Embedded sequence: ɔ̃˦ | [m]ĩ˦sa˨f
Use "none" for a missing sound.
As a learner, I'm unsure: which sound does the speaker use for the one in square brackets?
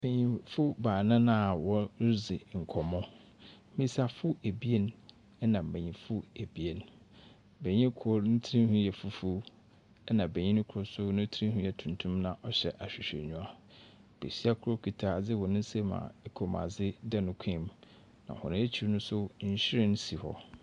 m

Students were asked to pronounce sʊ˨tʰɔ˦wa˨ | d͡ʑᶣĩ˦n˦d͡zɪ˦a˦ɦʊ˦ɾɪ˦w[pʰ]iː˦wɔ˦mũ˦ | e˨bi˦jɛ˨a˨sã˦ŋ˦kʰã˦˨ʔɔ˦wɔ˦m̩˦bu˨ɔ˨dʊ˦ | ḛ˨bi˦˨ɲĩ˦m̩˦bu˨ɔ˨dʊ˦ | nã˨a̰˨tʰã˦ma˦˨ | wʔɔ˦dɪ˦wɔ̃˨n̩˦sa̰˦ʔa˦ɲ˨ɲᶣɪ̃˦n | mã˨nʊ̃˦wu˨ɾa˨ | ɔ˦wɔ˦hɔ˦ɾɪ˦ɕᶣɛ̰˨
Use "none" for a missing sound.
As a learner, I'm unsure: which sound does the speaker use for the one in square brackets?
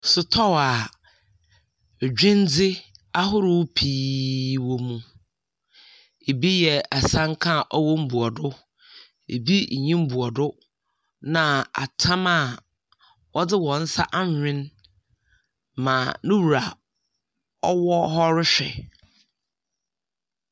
pʰ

